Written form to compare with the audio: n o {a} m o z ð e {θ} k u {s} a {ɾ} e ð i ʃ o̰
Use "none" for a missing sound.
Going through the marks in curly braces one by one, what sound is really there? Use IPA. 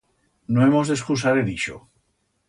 e, s, s, ɾ

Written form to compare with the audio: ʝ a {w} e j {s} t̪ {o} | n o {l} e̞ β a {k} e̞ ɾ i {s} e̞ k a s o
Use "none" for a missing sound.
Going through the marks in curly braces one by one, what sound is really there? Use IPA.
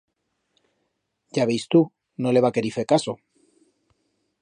β, s, u, l, k, f

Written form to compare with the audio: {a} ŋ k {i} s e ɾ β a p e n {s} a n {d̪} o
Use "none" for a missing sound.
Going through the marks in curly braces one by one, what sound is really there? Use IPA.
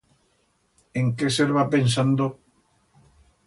e, e, s, d̪

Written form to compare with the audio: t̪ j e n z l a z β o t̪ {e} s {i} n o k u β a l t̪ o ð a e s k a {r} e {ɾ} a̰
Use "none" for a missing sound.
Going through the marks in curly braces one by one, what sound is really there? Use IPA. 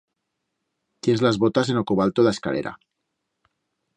a, e, l, ɾ

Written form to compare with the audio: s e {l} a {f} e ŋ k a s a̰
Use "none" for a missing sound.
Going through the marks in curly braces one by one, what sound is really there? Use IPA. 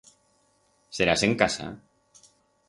ɾ, s

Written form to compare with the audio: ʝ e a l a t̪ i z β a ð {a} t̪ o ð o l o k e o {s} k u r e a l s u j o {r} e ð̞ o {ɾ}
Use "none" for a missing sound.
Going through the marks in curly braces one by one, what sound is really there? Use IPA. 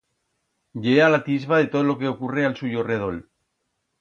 e, none, r, l

